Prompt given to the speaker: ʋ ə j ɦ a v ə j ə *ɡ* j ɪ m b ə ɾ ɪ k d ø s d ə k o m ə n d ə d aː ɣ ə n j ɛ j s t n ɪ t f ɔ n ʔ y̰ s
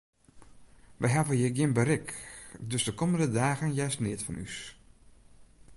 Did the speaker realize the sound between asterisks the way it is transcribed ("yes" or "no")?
yes